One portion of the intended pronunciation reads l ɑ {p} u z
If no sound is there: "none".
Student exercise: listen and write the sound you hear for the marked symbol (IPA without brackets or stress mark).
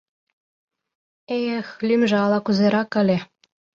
k